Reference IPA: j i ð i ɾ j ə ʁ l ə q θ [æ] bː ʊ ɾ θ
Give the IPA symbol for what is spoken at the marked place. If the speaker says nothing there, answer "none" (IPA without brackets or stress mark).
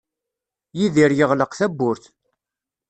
æ